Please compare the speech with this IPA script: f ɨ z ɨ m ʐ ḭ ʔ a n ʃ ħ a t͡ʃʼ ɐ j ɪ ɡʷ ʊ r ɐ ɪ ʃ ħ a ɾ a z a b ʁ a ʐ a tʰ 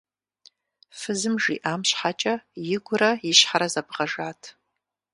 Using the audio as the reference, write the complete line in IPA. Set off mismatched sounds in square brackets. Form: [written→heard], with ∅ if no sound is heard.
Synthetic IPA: f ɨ z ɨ m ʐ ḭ ʔ a [n→m] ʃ ħ a t͡ʃʼ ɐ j ɪ ɡʷ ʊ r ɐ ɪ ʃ ħ a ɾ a z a b ʁ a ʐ a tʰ